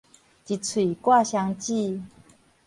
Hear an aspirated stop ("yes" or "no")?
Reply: yes